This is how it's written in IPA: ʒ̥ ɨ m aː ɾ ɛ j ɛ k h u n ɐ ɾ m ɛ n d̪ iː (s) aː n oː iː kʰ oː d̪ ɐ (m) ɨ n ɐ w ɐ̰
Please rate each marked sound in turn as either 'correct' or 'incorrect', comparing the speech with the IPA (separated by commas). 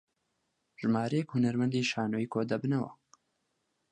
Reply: incorrect, incorrect